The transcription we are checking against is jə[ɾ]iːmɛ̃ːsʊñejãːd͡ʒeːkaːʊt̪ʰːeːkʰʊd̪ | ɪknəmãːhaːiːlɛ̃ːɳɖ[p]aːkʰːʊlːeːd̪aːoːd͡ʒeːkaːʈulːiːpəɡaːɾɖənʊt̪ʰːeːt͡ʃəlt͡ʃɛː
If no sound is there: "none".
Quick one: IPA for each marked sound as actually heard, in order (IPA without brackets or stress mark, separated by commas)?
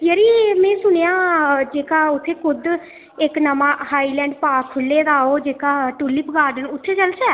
ɾ, p